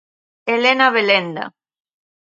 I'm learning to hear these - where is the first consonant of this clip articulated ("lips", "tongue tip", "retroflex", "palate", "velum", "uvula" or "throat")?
tongue tip